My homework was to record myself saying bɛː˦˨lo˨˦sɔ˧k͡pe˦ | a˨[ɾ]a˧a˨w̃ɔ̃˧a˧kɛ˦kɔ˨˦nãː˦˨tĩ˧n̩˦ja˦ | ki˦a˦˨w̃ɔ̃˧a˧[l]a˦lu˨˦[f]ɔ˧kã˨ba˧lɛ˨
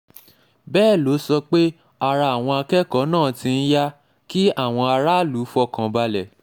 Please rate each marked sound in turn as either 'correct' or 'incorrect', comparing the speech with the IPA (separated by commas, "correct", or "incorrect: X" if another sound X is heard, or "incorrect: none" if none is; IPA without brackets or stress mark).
correct, incorrect: ɾ, correct